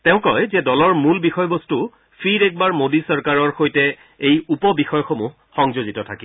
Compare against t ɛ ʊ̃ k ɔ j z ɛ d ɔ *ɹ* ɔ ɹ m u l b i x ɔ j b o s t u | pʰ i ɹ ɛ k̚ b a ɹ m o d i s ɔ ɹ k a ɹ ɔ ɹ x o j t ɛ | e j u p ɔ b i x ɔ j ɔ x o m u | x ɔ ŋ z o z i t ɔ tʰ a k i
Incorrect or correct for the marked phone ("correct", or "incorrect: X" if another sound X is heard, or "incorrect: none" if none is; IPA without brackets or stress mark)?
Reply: incorrect: l